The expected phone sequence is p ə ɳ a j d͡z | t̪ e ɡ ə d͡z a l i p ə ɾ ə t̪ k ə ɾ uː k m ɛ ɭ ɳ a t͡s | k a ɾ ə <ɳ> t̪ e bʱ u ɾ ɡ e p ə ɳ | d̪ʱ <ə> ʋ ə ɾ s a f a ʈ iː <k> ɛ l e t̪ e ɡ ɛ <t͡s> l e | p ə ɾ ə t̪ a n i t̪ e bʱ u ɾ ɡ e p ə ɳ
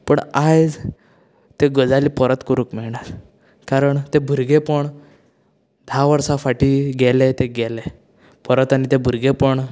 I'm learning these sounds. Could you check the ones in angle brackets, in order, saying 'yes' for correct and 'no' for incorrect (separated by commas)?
yes, no, no, no